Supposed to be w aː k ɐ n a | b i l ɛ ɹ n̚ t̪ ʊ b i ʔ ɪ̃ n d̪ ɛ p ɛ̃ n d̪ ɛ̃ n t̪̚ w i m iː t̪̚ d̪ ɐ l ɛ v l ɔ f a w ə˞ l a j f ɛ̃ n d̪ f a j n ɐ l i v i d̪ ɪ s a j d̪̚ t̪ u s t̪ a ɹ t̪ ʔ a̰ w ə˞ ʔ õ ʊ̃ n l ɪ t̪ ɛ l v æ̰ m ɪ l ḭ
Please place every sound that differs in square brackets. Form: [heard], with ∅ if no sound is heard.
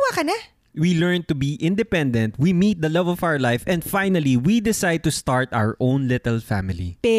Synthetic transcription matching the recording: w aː k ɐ n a | [w] i l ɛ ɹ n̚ t̪ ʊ b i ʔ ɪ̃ n d̪ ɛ p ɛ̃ n d̪ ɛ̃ n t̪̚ w i m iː t̪̚ d̪ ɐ l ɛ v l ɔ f a w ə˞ l a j f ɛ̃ n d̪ f a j n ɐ l i [w] i d̪ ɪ s a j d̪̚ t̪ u s t̪ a ɹ t̪ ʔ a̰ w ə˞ ʔ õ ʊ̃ n l ɪ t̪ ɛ l [f] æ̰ m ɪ l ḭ